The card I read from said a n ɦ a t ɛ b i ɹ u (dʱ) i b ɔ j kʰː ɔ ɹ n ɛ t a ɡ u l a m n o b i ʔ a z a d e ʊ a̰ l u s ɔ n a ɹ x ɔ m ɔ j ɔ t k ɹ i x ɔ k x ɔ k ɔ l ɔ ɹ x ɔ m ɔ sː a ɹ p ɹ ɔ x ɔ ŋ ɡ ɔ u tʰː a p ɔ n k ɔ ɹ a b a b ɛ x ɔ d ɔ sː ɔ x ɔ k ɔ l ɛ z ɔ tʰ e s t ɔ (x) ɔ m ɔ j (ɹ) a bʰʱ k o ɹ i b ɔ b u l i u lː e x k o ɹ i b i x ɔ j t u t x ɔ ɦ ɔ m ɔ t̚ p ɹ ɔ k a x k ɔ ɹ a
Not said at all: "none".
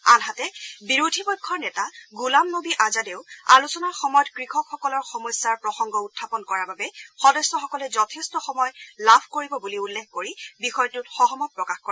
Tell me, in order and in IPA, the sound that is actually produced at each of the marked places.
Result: dʱ, x, l

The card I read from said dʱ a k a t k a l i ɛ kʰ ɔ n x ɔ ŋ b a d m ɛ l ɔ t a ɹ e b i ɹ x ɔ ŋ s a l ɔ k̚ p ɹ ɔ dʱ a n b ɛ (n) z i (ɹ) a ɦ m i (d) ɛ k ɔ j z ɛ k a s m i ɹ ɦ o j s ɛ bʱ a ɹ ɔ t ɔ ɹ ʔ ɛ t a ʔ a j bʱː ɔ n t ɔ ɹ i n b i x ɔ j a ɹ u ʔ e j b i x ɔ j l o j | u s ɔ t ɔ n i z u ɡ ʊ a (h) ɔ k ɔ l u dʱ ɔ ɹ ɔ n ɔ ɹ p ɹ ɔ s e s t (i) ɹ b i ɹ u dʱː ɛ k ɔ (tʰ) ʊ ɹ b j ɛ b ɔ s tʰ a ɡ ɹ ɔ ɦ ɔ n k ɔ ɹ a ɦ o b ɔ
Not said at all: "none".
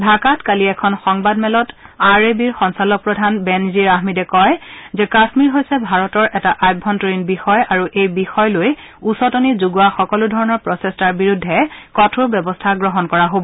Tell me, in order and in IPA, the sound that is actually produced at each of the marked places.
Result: n, ɹ, d, x, a, tʰ

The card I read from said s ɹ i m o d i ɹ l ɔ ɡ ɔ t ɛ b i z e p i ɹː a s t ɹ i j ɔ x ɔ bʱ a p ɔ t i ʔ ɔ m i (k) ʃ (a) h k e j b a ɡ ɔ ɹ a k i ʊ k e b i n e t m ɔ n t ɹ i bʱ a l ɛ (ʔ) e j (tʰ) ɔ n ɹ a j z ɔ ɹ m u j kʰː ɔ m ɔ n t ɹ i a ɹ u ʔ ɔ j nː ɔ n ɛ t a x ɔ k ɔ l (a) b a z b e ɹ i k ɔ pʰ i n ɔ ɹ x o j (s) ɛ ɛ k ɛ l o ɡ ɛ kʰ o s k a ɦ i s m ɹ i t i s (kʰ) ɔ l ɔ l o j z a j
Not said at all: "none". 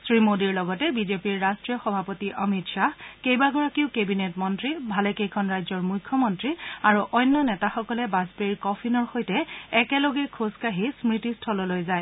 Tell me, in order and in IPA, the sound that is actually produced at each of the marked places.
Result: t, a, k, kʰ, ɛ, t, tʰ

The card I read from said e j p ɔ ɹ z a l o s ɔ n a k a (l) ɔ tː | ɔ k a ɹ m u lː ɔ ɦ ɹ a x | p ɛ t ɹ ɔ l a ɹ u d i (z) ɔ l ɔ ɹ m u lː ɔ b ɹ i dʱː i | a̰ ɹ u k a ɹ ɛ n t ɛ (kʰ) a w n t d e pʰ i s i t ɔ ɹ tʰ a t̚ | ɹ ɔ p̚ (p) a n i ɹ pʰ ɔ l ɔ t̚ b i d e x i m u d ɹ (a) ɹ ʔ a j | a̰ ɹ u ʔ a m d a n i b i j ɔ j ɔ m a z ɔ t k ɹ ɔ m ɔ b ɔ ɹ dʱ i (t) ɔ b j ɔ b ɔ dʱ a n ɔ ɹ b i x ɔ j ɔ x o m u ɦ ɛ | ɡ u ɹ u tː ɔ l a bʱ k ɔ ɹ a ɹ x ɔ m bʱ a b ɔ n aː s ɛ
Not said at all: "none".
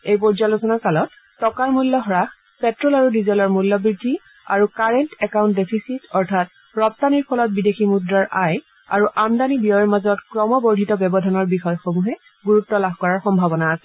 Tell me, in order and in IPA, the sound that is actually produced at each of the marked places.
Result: l, z, k, t, a, t

